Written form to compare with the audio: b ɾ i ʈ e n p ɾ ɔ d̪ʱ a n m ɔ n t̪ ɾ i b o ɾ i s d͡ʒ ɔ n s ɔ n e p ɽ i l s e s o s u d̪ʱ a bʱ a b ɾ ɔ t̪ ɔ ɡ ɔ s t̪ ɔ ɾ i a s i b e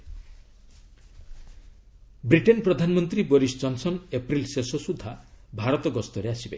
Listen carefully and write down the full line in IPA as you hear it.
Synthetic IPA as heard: b ɾ i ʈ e n p ɾ ɔ d̪ʱ a n m ɔ n t̪ ɾ i b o ɾ i s d͡ʒ ɔ n s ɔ n e p ɾ i l s e s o s u d̪ʱ a bʱ a ɾ ɔ t̪ ɔ ɡ ɔ s t̪ ɔ ɾ e a s i b e

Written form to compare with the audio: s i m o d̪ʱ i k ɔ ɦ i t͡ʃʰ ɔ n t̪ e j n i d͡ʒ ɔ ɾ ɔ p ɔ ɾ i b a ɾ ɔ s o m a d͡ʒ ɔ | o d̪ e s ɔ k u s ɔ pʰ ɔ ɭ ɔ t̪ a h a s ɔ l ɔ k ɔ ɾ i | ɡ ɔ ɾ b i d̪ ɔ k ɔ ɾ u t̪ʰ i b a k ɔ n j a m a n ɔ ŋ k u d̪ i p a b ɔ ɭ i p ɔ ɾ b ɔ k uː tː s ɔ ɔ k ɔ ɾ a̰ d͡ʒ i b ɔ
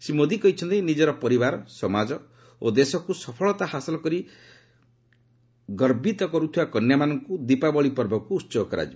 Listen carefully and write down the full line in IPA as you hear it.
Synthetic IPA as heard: s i m o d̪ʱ i k ɔ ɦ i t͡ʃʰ ɔ n t̪ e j n i d͡ʒ ɔ ɾ ɔ p ɔ ɾ i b a ɾ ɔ s ɔ m a d͡ʒ ɔ | o d̪ e s ɔ k u s ɔ pʰ ɔ ɭ ɔ t̪ a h a s ɔ l ɔ k ɔ ɾ i | ɡ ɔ ɾ b i t̪ ɔ k ɔ ɾ u t̪ʰ i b a k ɔ n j a m a n ɔ ŋ k u d̪ i p a b ɔ ɭ i p ɔ ɾ b ɔ k uː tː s ɔ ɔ k ɔ ɾ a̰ d͡ʒ i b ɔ

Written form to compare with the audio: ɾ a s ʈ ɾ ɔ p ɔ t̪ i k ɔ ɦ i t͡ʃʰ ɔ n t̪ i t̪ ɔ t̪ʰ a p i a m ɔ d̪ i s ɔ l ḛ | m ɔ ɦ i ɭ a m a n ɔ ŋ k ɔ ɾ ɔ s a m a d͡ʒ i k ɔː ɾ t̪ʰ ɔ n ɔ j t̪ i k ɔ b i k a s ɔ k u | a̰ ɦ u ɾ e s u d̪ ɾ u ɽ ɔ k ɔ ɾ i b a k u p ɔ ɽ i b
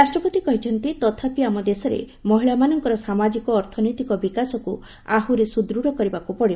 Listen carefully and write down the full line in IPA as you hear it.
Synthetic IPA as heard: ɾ a s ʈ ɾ ɔ p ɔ t̪ i k ɔ ɦ i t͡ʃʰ ɔ n t̪ i t̪ ɔ t̪ʰ a p i a m ɔ d̪ e s ɔ ɾ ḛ | m ɔ ɦ i ɭ a m a n ɔ ŋ k ɔ ɾ ɔ s a m a d͡ʒ i k ɔː ɾ t̪ʰ ɔ n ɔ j t̪ i k ɔ b i k a s ɔ k u | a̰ ɦ u ɾ e s u d̪ ɾ u ɽ ɔ k ɔ ɾ i b a k u p ɔ ɽ i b

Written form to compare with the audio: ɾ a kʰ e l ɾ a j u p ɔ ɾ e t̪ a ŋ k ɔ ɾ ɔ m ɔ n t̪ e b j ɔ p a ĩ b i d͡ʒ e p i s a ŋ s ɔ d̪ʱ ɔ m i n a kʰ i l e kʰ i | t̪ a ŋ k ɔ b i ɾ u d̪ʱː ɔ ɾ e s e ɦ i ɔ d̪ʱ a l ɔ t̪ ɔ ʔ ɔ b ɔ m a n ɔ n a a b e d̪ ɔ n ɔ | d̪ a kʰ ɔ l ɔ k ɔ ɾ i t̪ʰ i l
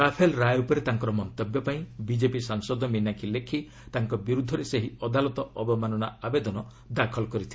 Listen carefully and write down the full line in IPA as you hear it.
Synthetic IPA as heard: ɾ a pʰ e l ɾ a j u p ɔ ɾ e t̪ a ŋ k ɔ ɾ ɔ m ɔ n t̪ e b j ɔ p a ĩ b i d͡ʒ e p i s a ŋ s ɔ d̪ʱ ɔ m i n a kʰ i l e kʰ i | t̪ a ŋ k ɔ b i ɾ u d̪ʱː ɔ ɾ e s e ɦ i ɔ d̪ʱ a l ɔ t̪ ɔ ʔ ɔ b ɔ m a n ɔ n a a b e d̪ ɔ n ɔ | d̪ a kʰ ɔ l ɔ k ɔ ɾ i t̪ʰ i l

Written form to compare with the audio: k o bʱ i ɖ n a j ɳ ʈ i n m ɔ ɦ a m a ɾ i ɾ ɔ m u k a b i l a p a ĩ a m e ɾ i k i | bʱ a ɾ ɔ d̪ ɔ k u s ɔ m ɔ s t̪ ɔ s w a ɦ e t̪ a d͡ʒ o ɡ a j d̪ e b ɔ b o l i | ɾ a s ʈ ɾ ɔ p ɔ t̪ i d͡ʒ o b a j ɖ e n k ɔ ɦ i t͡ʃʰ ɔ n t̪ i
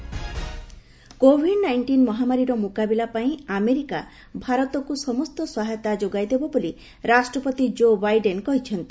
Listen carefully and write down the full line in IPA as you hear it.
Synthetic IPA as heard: k o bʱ i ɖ n a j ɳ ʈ i n m ɔ ɦ a m a ɾ i ɾ ɔ m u k a b i l a p a ĩ a m e ɾ i k a | bʱ a ɾ ɔ t̪ ɔ k u s ɔ m ɔ s t̪ ɔ s w a ɦ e t̪ a d͡ʒ o ɡ a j d̪ e b ɔ b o l i | ɾ a s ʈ ɾ ɔ p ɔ t̪ i d͡ʒ o b a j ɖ e n k ɔ ɦ i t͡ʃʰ ɔ n t̪ i

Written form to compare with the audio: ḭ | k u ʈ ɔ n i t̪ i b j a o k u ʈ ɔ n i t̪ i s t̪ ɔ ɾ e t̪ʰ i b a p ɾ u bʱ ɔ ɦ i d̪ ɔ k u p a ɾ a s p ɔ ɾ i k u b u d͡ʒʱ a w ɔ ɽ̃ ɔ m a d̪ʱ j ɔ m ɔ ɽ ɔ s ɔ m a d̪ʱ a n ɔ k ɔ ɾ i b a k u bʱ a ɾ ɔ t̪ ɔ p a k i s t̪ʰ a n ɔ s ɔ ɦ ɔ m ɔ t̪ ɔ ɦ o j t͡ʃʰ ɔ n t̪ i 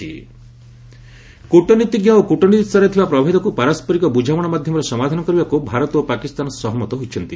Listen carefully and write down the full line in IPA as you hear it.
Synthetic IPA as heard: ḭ | k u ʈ ɔ n i t̪ i ɡ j a o k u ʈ ɔ n i t̪ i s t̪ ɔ ɾ e t̪ʰ i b a p ɾ ɔ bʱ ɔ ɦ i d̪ ɔ k u p a ɾ a s p ɔ ɾ i k ɔ b u d͡ʒʱ a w ɔ ɽ̃ ɔ m a d̪ʱ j ɔ m ɔ ɾ ɔ s ɔ m a d̪ʱ a n ɔ k ɔ ɾ i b a k u bʱ a ɾ ɔ t̪ o p a k i s t̪ a n ɔ s ɔ ɦ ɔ m ɔ t̪ ɔ ɦ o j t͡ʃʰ ɔ n t̪ i

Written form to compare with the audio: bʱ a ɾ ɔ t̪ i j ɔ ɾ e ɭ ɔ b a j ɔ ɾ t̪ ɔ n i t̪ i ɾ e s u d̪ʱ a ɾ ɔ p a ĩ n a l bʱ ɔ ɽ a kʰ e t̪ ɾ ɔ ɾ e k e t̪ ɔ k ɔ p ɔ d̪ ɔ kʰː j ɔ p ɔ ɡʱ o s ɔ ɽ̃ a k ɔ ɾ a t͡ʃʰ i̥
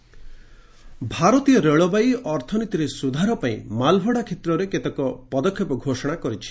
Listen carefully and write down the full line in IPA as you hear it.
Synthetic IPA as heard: bʱ a ɾ ɔ t̪ i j ɔ ɾ e ɭ ɔ b a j ɔ ɾ t̪ʰ ɔ n i t̪ i ɾ e s u d̪ʱ a ɾ ɔ p a ĩ m a l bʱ ɔ ɽ a kʰ e t̪ ɾ ɔ ɾ e k e t̪ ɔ k ɔ p ɔ d̪ ɔ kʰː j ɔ p ɔ ɡʱ o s ɔ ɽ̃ a k ɔ ɾ i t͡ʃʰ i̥

